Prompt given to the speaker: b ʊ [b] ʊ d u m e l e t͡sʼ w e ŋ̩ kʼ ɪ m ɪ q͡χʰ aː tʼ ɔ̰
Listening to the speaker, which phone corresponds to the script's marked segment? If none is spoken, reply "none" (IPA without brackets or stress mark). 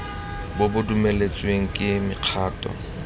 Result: b